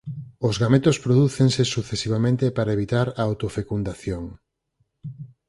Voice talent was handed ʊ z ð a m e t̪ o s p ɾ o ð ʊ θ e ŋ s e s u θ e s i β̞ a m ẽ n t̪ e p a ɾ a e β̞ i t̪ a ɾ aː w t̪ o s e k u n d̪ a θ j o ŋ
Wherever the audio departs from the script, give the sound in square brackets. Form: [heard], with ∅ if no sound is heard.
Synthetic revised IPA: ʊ z [ɣ] a m e t̪ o s p ɾ o ð [u] θ e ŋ s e s u θ e s i β̞ a m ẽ n t̪ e p a ɾ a e β̞ i t̪ a ɾ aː w t̪ o [f] e k u n d̪ a θ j o ŋ